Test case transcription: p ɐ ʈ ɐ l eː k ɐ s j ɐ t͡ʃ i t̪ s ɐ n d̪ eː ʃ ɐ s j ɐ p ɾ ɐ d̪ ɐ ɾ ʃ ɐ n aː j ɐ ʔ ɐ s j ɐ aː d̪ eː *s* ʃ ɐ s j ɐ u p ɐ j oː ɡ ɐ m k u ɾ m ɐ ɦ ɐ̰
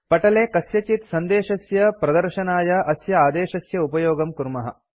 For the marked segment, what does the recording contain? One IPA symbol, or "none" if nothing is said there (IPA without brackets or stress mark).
none